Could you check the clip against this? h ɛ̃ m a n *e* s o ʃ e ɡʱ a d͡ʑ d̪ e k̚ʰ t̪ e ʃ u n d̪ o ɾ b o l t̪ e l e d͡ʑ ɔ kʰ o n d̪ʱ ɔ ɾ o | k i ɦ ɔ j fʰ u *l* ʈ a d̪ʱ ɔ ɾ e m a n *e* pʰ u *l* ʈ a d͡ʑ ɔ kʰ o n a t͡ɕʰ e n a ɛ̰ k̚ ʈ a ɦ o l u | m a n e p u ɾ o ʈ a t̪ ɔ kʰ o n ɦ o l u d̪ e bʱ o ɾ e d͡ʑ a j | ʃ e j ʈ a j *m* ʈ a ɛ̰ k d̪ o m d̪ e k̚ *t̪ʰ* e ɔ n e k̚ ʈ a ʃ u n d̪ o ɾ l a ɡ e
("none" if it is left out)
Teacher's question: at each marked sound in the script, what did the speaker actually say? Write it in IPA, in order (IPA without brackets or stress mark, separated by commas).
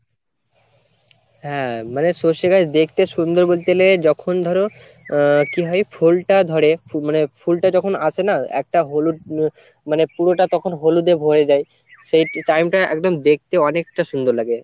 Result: e, l, e, l, m, t̪